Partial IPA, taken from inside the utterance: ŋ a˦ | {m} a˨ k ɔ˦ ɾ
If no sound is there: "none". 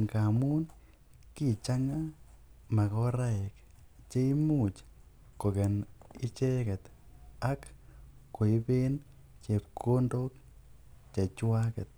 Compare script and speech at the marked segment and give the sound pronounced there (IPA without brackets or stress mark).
m